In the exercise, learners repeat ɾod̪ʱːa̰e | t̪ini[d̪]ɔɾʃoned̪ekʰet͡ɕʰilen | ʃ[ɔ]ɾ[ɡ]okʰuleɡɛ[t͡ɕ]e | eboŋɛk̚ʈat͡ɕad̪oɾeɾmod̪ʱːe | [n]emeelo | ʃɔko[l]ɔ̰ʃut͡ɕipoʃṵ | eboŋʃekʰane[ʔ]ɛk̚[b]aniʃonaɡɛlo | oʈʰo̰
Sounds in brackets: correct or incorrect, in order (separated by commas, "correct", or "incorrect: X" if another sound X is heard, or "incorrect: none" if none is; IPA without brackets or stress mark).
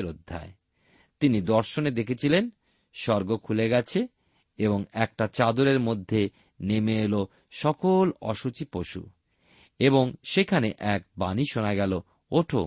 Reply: correct, correct, correct, incorrect: t͡ɕʰ, correct, correct, correct, correct